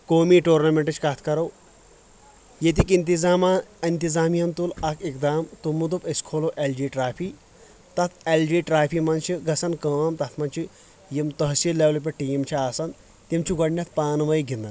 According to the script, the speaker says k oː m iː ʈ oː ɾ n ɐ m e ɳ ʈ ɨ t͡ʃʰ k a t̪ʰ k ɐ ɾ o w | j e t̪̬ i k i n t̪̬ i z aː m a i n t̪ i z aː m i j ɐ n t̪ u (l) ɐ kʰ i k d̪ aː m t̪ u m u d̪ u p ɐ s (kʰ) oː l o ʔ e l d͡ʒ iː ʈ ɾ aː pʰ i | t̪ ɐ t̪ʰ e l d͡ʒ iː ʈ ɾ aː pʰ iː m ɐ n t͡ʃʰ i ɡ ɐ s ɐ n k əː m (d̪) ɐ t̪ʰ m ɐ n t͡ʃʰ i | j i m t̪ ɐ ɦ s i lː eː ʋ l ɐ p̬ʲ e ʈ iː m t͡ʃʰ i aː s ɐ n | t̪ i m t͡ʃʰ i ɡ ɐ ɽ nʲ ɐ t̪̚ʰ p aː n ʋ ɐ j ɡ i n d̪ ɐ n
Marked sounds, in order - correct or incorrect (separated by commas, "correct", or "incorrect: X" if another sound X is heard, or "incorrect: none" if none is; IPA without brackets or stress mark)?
correct, correct, incorrect: t̪